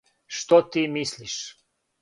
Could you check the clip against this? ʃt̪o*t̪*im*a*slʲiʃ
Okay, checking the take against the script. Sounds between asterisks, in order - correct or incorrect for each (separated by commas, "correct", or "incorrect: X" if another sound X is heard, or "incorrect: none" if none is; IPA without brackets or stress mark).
correct, incorrect: i